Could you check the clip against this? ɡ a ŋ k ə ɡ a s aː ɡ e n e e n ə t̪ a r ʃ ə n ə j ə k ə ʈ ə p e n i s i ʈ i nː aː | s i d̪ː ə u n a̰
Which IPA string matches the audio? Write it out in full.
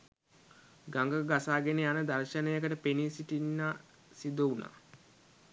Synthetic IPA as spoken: ɡ a ŋ ɡ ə ɡ a s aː ɡ e n e a n ə d̪ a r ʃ ə n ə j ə k ə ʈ ə p e n i s i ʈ i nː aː | s i d̪ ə u n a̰